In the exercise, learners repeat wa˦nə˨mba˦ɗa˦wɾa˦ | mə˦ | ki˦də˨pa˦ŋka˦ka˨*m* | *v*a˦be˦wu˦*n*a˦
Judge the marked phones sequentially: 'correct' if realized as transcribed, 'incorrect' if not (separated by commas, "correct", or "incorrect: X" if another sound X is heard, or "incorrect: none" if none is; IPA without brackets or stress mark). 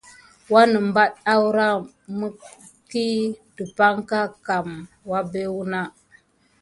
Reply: correct, incorrect: w, correct